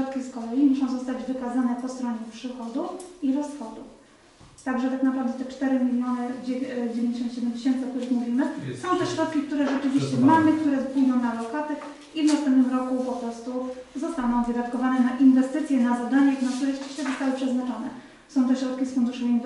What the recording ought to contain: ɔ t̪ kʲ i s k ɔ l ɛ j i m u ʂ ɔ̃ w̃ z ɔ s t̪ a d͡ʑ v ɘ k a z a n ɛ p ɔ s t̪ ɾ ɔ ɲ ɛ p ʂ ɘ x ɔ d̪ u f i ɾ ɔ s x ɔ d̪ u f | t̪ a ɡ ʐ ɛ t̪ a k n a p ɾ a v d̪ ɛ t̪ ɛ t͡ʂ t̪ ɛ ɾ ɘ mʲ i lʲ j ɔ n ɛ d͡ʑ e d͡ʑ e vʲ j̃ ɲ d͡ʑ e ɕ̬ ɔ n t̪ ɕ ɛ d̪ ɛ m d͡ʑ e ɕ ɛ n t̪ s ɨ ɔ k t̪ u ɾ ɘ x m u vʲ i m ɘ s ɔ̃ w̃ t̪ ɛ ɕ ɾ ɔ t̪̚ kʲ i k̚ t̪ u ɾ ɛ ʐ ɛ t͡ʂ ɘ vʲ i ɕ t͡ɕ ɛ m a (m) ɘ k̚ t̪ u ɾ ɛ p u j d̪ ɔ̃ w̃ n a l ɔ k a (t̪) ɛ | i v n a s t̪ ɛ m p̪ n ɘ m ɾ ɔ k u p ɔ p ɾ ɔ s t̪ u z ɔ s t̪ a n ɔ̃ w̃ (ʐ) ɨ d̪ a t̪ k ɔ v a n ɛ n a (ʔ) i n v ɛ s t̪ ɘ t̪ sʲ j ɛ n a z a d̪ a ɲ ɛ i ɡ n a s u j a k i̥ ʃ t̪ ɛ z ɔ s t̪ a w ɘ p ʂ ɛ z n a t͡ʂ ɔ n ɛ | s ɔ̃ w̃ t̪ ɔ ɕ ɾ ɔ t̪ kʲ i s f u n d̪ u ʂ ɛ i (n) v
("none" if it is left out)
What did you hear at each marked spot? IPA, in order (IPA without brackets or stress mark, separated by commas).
m, t̪, v, ʔ, n